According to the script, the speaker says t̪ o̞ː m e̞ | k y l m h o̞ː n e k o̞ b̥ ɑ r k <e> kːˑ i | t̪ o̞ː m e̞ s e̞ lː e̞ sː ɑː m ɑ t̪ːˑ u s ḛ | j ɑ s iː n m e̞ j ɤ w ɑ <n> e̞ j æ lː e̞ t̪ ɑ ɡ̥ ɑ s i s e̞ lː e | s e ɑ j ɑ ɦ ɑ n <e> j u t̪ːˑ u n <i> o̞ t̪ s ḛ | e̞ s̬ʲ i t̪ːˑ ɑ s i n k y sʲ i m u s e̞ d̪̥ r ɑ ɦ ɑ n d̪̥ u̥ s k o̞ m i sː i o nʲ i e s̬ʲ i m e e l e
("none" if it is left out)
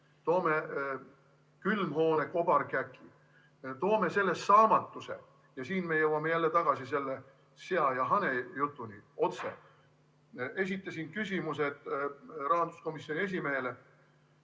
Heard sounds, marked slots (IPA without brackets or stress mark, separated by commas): æ, m, e, i